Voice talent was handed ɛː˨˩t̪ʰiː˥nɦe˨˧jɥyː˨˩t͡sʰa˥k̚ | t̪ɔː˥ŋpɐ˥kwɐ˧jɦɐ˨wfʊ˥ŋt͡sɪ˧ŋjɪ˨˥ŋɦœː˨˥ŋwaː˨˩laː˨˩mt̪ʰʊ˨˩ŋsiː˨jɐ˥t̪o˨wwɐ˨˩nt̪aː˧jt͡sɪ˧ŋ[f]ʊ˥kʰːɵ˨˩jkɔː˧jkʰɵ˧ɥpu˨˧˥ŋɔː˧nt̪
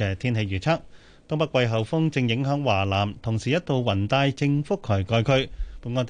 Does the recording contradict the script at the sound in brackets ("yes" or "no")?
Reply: no